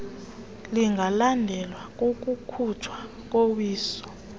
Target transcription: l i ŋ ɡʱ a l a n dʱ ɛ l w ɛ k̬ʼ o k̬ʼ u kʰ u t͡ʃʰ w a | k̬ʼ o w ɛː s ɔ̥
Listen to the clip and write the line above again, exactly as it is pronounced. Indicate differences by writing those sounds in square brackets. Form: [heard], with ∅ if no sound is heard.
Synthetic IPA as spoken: l i ŋ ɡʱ a l a n dʱ ɛ l w [a] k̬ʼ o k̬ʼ u kʰ u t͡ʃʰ w a | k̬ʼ o w [iː] s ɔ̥